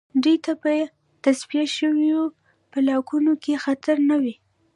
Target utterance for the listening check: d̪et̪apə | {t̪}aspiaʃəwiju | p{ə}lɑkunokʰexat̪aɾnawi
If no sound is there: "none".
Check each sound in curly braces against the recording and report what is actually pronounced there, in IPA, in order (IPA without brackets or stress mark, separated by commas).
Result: t̪, ə